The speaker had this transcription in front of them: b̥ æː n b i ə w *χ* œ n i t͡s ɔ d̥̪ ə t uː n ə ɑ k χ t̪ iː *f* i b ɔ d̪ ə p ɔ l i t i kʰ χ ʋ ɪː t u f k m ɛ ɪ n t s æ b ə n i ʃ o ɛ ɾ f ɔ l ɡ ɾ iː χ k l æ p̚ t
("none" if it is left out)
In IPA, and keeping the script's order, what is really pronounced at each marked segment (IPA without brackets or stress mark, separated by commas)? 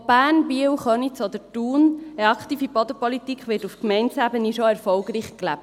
χ, f